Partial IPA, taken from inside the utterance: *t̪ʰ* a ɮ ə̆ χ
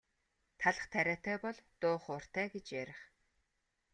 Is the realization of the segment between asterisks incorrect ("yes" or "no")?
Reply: no